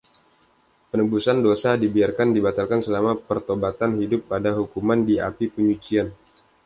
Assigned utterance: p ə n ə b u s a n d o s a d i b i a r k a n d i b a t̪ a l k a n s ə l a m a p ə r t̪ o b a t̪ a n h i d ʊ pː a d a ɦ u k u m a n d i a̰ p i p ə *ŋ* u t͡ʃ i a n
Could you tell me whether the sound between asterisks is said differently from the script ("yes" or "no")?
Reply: yes